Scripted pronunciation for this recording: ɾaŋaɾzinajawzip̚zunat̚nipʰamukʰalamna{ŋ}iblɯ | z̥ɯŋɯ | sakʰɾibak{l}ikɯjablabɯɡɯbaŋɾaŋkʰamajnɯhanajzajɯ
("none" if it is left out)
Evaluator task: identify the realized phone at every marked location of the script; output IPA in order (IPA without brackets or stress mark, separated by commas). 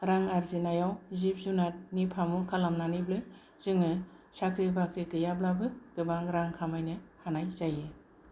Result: n, ɾ